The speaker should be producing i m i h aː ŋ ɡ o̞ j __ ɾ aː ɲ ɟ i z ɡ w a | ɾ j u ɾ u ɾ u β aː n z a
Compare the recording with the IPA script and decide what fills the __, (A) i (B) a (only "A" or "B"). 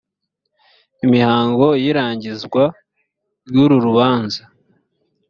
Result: A